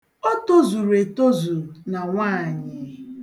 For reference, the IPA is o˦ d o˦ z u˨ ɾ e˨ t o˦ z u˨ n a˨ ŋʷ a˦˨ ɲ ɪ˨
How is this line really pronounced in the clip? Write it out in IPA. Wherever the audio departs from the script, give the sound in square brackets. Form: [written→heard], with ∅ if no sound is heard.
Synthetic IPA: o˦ [d→t] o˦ z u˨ ɾ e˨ t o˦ z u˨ n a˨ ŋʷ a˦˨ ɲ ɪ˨

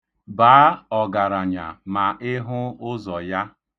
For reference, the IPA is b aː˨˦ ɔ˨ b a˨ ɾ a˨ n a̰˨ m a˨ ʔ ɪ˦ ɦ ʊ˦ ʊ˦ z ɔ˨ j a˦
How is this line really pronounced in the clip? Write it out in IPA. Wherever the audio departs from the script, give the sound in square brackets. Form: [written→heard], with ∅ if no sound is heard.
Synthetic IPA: b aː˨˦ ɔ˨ [b→ɡ] a˨ ɾ a˨ [n→ɲ] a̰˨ m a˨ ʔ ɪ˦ ɦ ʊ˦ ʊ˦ z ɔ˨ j a˦

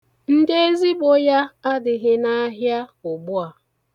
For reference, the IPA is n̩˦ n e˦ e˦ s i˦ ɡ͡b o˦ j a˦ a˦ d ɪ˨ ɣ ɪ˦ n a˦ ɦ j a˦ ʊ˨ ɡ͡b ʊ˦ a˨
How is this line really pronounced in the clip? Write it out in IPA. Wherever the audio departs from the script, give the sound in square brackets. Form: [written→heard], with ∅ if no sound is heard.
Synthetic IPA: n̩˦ [n→d] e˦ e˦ [s→z] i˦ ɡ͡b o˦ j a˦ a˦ d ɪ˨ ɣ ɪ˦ n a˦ ɦ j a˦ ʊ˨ ɡ͡b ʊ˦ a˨

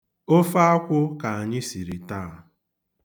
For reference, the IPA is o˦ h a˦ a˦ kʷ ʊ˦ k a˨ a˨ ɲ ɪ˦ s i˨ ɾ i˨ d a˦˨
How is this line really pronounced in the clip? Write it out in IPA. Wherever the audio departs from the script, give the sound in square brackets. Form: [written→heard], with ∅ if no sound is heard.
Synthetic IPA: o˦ [h→f] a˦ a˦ kʷ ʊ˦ k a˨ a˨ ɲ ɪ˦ s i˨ ɾ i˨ [d→t] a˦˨

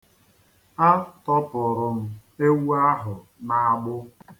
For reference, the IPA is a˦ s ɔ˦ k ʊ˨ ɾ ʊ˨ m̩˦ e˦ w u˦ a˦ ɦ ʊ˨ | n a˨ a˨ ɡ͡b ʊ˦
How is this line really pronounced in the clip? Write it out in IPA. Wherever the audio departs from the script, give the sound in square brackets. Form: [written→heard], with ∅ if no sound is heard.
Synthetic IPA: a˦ [s→t] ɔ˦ [k→p] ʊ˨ ɾ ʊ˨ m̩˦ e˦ w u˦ a˦ ɦ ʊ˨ | n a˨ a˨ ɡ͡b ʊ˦

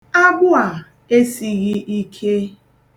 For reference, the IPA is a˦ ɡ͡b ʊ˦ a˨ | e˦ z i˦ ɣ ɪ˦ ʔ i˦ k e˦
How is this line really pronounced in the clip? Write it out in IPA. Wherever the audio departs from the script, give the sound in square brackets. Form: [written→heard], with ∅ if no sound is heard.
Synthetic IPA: a˦ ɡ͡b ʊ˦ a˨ | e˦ [z→s] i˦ ɣ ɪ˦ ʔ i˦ [k→kʰ] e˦

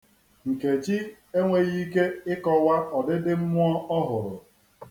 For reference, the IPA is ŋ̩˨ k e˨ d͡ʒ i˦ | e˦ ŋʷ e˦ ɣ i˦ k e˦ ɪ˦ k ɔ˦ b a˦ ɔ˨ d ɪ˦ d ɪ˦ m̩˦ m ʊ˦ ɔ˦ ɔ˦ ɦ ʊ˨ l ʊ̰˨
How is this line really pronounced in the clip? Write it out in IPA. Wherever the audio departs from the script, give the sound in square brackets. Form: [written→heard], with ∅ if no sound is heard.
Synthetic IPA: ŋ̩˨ k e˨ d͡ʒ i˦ | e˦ ŋʷ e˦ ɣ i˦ k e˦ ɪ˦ k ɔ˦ [b→w] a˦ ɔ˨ d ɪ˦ d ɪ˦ m̩˦ m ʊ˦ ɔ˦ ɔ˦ ɦ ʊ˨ [l→ɾ] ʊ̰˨

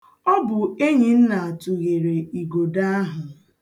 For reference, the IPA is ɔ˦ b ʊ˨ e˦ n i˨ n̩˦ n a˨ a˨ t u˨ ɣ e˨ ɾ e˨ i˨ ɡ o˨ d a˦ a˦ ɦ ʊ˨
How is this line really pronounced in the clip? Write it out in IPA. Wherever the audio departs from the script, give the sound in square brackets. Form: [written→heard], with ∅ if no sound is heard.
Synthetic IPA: ɔ˦ b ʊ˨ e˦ [n→ɲ] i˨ n̩˦ n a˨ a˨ t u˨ ɣ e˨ ɾ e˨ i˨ ɡ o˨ d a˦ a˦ ɦ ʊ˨

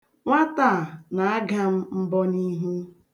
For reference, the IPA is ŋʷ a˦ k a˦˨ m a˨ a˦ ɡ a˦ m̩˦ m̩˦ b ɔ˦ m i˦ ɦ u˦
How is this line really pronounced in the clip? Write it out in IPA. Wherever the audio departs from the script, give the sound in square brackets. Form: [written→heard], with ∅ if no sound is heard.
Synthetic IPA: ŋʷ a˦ [k→t] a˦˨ [m→n] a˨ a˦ ɡ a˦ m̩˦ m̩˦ b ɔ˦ [m→n] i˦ ɦ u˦

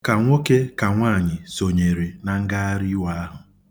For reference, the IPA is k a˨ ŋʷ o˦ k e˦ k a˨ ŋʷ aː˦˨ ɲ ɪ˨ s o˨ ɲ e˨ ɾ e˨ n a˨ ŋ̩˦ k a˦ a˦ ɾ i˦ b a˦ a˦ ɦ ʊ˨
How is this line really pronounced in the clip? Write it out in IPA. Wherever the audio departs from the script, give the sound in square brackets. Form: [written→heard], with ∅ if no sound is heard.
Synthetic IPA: k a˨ ŋʷ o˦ k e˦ k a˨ ŋʷ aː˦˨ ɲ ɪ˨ s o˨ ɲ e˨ ɾ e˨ n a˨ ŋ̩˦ [k→ɡ] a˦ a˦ ɾ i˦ [b→w] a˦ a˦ ɦ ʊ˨

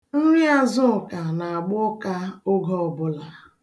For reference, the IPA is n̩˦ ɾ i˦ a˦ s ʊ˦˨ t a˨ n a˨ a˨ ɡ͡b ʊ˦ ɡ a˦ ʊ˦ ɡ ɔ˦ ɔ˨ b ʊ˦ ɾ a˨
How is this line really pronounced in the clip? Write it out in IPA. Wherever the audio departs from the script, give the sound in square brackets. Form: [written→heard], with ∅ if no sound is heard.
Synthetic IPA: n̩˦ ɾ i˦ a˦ [s→z] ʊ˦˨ [t→k] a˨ n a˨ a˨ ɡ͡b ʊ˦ [ɡ→k] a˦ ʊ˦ ɡ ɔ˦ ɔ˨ b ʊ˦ [ɾ→l] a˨

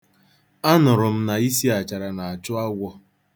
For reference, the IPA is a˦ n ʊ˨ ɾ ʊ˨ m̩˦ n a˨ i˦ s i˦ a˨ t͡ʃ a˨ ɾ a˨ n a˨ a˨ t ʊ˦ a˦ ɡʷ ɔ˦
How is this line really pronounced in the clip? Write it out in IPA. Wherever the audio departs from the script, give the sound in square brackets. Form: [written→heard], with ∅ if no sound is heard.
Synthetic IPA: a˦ n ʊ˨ ɾ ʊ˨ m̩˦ n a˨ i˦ s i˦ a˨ t͡ʃ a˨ ɾ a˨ n a˨ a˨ [t→t͡ʃ] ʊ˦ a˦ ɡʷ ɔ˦

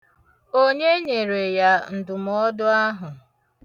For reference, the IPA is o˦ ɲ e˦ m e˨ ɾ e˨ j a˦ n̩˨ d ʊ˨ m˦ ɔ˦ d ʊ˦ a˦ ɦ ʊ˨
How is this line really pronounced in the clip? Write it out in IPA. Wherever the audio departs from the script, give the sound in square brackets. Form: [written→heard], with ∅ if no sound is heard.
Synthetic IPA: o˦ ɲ e˦ [m→ɲ] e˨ ɾ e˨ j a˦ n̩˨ d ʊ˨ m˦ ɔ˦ d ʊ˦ a˦ ɦ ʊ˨

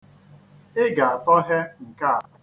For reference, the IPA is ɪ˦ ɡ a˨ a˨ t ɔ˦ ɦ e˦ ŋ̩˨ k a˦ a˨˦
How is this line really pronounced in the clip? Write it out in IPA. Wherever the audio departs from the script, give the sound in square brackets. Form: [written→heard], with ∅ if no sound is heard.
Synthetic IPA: ɪ˦ ɡ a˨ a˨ t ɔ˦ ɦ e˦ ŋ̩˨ k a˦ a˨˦

